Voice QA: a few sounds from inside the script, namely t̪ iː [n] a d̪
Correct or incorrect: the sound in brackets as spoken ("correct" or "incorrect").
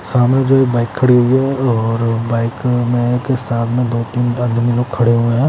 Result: correct